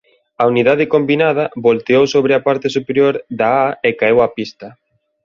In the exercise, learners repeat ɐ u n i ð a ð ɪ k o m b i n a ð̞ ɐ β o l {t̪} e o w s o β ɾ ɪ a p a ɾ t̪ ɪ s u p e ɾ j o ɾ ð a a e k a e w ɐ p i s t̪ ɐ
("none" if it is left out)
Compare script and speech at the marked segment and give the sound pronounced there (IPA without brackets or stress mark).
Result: t̪